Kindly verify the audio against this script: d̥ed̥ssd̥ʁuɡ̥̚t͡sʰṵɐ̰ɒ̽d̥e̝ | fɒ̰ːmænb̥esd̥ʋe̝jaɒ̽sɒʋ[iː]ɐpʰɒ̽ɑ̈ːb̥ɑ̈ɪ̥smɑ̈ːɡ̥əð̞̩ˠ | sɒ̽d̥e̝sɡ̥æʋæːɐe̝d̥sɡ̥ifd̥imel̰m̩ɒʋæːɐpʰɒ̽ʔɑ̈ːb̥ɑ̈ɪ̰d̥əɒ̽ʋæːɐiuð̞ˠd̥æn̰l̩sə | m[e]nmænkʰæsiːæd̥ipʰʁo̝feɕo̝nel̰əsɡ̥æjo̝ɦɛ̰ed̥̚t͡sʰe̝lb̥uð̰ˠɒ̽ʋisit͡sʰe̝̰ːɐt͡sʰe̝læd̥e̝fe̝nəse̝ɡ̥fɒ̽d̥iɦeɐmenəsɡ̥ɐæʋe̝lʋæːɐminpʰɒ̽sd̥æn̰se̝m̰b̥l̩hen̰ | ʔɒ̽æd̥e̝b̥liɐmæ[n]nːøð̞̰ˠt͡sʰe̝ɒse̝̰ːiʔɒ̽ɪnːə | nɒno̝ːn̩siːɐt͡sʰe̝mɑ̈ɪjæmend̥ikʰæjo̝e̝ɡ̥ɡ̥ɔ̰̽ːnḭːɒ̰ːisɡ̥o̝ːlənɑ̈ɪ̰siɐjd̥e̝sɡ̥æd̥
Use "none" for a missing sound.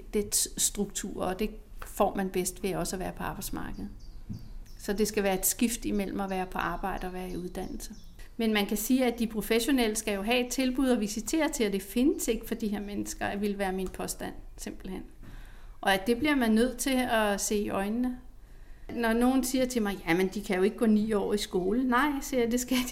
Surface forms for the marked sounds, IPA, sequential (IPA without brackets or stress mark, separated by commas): æː, e, n